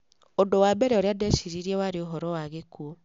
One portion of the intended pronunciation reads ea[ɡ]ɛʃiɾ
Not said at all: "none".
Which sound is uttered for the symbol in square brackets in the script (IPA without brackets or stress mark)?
d